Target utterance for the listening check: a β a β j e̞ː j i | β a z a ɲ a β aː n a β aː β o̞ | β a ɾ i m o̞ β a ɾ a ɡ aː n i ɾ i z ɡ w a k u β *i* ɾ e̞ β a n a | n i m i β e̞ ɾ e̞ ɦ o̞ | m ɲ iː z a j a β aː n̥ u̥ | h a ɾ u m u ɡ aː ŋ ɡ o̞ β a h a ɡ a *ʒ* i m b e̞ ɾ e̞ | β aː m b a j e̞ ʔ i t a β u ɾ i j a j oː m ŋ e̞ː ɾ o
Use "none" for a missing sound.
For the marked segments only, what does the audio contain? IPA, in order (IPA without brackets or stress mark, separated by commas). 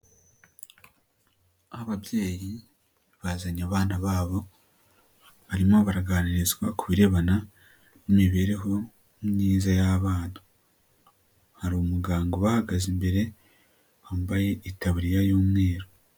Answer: i, z